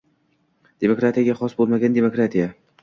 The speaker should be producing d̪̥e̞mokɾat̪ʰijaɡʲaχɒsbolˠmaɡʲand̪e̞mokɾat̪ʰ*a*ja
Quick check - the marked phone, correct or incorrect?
incorrect